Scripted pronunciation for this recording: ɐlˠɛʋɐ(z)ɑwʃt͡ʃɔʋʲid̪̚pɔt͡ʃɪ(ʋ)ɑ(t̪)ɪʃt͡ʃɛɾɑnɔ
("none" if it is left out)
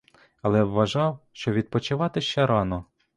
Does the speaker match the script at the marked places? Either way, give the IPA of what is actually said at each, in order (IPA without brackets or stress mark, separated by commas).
ʒ, ʋ, t̪